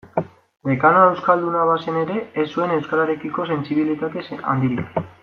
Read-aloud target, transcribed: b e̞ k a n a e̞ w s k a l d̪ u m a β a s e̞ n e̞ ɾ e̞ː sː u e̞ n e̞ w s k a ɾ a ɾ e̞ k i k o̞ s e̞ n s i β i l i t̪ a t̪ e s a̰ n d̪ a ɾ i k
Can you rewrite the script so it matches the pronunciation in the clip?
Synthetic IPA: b e̞ k a n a e̞ w s k a l d̪ u n a β a s e̞ n e̞ ɾ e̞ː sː u e̞ n e̞ w s k a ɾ a ɾ e̞ k i k o̞ s e̞ n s i β i l i t̪ a t̪ e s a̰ n d̪ i ɾ i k